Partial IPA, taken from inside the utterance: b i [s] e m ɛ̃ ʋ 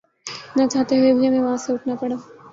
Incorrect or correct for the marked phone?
incorrect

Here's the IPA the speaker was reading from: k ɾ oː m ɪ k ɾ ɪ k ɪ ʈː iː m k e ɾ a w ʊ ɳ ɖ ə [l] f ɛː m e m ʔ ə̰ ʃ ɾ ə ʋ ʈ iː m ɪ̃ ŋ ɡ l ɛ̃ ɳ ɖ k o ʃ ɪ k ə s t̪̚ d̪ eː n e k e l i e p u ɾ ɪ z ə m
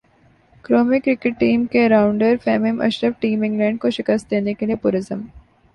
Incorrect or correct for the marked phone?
incorrect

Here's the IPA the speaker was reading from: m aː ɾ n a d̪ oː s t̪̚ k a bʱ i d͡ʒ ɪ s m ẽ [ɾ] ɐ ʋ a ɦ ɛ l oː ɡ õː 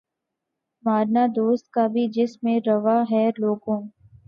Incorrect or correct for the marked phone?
correct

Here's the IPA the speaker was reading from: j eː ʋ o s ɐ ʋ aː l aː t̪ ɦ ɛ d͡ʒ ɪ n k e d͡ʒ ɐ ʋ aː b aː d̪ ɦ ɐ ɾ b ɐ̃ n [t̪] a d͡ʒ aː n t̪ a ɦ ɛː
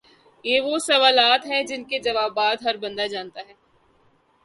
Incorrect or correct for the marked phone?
incorrect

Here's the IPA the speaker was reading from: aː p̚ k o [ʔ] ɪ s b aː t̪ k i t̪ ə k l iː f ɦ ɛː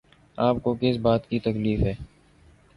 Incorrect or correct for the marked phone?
incorrect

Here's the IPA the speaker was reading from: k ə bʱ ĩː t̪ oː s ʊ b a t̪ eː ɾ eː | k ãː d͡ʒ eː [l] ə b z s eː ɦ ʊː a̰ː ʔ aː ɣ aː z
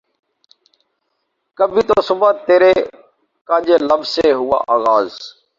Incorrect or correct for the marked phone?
correct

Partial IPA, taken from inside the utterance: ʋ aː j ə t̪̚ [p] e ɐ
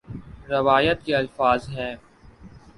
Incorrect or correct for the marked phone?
incorrect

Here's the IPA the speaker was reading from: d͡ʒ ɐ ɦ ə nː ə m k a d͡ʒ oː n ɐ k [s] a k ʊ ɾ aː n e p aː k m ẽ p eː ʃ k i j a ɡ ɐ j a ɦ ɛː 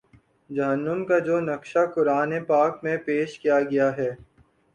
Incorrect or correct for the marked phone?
incorrect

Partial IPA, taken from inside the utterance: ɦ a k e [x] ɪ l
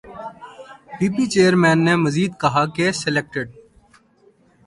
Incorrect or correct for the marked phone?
incorrect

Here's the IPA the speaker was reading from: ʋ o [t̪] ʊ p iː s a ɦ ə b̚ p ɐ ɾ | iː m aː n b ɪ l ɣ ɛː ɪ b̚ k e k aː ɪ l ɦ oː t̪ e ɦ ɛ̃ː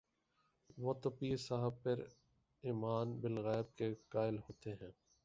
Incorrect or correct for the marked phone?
correct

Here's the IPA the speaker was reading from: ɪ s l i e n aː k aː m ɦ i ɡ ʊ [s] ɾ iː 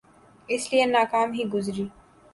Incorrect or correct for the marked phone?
incorrect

